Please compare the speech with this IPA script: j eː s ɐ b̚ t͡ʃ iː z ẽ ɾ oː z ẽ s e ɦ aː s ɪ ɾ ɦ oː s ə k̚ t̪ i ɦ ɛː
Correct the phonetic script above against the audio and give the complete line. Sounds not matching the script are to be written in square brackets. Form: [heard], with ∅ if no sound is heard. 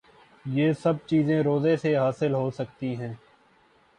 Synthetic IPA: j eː s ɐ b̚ t͡ʃ iː z ẽ ɾ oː z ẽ s e ɦ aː s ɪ [l] ɦ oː s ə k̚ t̪ i ɦ [ɛ̃ː]